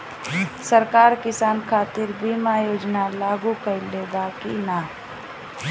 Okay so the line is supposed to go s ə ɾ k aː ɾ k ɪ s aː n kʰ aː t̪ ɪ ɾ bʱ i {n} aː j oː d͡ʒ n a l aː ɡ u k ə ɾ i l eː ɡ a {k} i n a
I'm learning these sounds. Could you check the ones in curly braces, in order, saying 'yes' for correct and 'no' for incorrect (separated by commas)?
no, yes